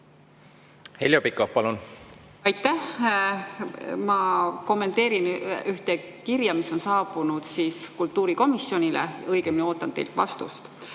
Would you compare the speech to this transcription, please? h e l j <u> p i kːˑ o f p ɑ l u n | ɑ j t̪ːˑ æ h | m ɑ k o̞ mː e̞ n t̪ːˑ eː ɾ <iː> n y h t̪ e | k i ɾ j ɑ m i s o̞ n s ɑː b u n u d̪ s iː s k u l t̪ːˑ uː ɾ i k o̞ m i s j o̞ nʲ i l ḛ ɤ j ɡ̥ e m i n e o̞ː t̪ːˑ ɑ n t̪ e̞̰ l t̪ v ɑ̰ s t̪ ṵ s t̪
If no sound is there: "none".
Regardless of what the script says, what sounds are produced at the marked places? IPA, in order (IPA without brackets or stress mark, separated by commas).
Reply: o, i